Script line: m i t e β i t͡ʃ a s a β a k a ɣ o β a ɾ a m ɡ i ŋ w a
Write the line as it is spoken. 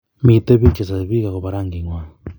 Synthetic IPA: m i t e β i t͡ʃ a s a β i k a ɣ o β a ɾ a ŋ ɡ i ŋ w a

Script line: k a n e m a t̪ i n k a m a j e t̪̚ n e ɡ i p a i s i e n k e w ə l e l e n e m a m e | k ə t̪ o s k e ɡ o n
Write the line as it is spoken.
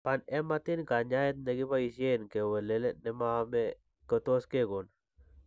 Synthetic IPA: p a n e m a t̪ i n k a ɲ a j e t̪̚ n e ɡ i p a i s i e n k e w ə l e l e n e m a m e | k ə t̪ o s k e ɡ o n

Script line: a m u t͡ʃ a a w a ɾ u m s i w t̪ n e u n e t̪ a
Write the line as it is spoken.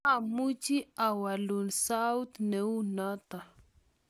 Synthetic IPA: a m u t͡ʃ i a w a l u n s a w t̪ n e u n a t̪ a

